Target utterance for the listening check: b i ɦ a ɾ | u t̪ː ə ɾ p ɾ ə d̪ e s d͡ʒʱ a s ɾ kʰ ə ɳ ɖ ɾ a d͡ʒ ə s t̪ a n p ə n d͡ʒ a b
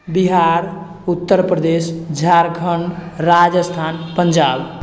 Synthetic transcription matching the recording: b i ɦ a ɾ | u t̪ː ə ɾ p ɾ ə d̪ e s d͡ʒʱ a ɾ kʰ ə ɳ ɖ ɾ a d͡ʒ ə s t̪ʰ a n p ə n d͡ʒ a b